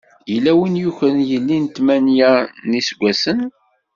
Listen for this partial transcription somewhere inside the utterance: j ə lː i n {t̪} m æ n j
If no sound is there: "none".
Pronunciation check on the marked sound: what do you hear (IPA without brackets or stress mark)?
t̪